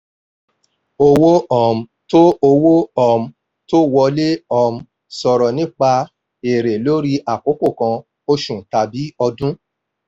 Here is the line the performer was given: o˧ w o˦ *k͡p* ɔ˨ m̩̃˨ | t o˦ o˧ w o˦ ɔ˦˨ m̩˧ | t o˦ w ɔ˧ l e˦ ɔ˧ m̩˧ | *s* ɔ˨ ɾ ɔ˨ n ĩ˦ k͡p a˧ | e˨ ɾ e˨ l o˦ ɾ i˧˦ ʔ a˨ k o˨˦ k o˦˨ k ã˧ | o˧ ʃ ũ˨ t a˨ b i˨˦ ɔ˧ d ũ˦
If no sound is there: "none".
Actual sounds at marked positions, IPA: none, s

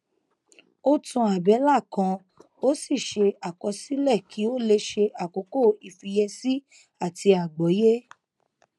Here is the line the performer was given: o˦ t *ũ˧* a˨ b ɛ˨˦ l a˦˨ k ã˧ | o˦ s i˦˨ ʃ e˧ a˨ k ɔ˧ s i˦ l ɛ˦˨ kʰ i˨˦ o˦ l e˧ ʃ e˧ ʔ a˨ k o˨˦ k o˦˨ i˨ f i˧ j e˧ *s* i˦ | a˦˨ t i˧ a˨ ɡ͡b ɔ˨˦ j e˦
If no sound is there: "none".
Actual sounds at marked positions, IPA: ũ˧, s

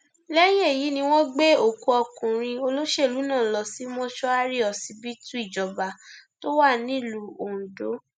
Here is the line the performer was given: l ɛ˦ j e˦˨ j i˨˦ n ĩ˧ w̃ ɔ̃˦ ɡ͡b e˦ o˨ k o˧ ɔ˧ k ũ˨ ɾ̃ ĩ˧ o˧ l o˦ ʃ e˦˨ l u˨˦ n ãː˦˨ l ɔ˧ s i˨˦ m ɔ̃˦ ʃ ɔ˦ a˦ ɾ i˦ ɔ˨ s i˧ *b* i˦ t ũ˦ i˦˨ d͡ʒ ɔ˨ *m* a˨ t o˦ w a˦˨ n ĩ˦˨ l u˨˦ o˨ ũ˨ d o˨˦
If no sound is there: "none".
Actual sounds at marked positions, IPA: b, b

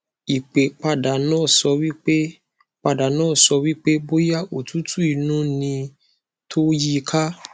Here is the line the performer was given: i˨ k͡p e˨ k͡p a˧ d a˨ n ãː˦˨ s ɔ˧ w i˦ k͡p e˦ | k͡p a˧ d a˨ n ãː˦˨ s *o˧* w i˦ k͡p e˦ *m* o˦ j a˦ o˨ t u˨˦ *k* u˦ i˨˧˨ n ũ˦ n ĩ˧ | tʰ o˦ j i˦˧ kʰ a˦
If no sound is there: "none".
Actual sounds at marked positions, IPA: ɔ˧, b, t

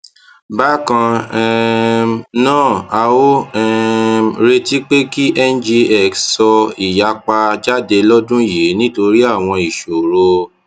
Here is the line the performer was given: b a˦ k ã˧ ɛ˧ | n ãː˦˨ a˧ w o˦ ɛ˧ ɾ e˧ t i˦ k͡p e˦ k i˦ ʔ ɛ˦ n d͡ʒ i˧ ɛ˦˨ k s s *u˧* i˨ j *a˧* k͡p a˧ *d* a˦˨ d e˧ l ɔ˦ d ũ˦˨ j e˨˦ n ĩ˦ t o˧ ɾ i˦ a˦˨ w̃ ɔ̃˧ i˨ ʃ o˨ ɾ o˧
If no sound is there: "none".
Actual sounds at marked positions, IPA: ɔ˧, a˧, d͡ʒ

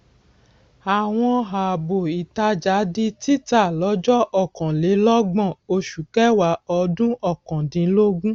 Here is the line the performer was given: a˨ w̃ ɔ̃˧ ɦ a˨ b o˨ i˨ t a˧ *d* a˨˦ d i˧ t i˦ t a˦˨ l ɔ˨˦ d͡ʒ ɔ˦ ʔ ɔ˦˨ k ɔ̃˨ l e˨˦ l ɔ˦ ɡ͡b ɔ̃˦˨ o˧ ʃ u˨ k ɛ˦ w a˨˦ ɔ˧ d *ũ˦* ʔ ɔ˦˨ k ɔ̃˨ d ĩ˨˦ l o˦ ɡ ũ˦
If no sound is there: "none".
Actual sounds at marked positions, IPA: d͡ʒ, ũ˦

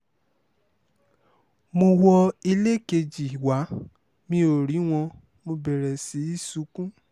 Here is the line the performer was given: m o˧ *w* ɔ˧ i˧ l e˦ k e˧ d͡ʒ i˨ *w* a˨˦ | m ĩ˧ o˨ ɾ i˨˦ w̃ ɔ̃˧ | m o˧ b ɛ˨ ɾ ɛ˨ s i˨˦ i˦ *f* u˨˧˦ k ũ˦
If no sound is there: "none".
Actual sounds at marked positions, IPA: w, w, s

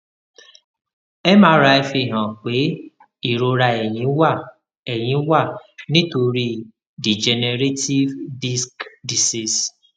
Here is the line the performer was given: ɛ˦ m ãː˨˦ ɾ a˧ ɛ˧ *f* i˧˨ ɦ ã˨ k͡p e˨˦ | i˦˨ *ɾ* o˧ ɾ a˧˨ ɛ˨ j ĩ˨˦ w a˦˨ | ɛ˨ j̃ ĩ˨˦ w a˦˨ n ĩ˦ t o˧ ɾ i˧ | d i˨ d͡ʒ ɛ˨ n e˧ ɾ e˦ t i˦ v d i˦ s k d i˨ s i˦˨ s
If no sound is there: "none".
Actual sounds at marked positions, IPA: f, ɾ

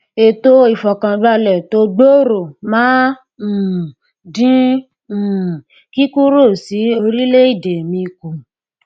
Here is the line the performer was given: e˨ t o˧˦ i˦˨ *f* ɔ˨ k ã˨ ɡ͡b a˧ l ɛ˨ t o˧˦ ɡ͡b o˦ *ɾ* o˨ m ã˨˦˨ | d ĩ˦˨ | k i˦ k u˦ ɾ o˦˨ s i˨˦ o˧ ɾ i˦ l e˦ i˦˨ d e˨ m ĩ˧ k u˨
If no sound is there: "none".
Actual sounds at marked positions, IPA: f, ɾ

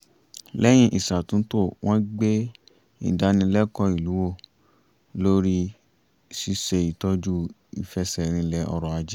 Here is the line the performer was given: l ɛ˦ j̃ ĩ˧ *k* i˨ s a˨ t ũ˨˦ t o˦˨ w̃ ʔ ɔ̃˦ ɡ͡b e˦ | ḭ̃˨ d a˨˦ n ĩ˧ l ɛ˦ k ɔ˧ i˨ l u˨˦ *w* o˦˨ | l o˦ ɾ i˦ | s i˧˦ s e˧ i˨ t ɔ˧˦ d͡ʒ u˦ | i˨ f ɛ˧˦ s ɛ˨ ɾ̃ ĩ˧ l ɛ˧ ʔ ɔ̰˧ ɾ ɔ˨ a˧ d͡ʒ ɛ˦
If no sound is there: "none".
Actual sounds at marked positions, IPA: ʔ, w

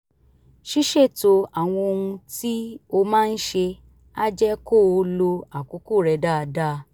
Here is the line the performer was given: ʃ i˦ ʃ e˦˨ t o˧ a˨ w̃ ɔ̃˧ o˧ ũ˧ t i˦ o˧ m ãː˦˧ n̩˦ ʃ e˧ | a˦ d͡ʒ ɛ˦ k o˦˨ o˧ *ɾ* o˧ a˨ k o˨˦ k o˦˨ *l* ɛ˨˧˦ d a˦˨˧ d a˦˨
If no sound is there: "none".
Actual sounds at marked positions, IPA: l, ɾ

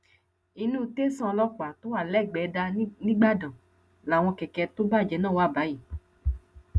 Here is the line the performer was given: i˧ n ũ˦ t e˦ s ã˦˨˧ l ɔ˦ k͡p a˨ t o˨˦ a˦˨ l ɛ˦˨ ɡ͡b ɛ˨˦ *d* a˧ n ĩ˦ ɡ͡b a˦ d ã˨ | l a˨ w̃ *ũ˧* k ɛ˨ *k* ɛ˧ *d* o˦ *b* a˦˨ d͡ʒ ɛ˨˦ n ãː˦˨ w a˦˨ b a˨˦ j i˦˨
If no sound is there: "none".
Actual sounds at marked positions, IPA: d, ɔ̃˧, k, t, b

